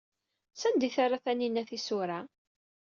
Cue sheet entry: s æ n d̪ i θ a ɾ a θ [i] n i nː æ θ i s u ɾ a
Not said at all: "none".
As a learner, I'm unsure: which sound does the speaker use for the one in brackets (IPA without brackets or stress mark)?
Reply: æ